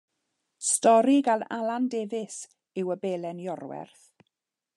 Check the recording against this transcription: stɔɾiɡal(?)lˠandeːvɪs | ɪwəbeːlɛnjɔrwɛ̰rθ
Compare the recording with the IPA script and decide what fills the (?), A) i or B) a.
B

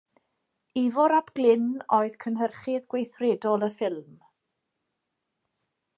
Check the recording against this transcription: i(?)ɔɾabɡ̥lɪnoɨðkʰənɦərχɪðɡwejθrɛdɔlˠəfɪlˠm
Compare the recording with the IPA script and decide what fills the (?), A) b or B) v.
B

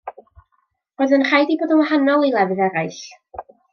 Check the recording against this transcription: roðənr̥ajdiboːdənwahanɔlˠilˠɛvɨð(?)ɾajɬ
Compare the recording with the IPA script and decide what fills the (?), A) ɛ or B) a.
A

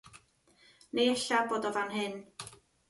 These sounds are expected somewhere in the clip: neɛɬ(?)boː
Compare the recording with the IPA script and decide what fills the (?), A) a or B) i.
A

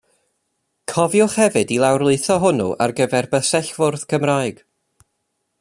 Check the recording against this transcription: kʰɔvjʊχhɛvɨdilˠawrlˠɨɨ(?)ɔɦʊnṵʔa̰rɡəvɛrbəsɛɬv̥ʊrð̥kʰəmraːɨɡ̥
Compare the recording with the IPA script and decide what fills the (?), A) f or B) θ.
B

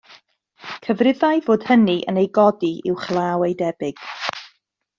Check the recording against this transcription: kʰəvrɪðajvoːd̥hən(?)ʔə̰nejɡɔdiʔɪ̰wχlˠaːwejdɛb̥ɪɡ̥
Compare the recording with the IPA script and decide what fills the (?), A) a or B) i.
B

